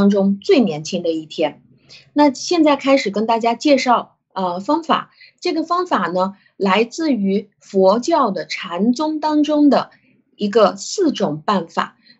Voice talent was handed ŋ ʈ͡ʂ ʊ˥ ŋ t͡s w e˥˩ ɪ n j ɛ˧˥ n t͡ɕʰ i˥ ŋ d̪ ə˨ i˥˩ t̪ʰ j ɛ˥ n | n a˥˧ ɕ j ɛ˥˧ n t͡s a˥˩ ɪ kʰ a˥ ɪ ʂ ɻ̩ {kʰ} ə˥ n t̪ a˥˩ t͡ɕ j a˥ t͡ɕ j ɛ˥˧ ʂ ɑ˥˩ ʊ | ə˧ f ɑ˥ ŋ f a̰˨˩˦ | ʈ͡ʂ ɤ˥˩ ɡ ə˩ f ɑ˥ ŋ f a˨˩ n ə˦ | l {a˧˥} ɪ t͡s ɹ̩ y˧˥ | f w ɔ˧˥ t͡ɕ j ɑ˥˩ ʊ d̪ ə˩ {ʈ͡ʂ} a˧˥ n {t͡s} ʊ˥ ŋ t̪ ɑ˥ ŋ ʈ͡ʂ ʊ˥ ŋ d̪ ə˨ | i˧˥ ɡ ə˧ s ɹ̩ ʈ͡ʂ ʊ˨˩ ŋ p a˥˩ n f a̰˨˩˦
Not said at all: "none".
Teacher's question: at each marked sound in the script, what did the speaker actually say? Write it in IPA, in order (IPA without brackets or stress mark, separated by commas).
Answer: k, a˧˥, ʈ͡ʂʰ, t͡s